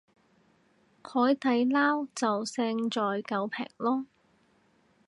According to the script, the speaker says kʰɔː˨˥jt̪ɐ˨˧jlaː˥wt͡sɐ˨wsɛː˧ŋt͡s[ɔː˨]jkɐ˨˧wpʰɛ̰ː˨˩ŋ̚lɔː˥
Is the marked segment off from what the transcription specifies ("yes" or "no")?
no